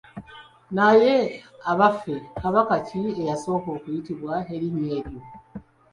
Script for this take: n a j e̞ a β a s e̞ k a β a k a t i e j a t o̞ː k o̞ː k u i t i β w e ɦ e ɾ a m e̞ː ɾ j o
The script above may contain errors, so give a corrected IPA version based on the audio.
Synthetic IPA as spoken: n a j e̞ a β a f e̞ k a β a k a c i e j a s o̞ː k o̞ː k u i t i β w a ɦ e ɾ i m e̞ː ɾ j o